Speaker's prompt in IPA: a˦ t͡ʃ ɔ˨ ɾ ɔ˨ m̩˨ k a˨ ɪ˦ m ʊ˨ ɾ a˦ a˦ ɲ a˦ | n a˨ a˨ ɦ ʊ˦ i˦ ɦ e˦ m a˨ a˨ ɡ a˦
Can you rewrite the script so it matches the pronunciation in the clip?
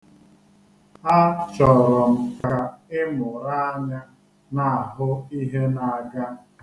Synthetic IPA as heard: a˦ t͡ʃ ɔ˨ ɾ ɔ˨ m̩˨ k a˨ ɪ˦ m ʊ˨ ɾ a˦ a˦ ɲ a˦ | n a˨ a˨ ɦ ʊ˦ i˦ ɦ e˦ n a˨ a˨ ɡ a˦

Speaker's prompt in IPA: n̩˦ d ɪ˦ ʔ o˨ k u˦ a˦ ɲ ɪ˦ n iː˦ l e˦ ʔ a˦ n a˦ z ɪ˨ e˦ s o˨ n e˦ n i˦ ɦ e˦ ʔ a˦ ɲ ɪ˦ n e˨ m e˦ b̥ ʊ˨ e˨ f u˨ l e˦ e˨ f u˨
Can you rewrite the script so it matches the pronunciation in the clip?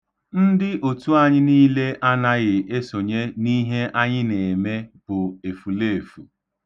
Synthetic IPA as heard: n̩˦ d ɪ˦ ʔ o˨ t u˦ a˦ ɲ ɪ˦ n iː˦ l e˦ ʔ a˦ n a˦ ɣ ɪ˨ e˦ s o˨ ɲ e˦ n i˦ ɦ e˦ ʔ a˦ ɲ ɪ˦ n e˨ m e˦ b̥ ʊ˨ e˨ f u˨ l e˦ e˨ f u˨

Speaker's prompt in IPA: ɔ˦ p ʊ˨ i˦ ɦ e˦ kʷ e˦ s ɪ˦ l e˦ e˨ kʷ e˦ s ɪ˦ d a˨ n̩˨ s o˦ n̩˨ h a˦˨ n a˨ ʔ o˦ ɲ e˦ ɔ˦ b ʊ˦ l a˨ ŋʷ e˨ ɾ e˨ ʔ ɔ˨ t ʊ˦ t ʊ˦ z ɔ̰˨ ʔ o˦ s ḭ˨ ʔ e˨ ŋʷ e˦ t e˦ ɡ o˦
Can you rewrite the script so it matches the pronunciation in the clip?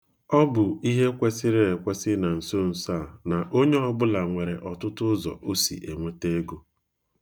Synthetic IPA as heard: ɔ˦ b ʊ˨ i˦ ɦ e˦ kʷ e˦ s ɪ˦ ɾ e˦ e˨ kʷ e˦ s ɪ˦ n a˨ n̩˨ s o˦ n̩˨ s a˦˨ n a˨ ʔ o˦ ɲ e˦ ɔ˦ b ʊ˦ l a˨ ŋʷ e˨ ɾ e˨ ʔ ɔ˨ t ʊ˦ t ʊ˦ z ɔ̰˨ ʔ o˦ s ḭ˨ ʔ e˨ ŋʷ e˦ t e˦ ɡ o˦

